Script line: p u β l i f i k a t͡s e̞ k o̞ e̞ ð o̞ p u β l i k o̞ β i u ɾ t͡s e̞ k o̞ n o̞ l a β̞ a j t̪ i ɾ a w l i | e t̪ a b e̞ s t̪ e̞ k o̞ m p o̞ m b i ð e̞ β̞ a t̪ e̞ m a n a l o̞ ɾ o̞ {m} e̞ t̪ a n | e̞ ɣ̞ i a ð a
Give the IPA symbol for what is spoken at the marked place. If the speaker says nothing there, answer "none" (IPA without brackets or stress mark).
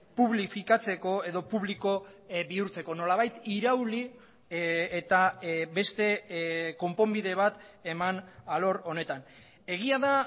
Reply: n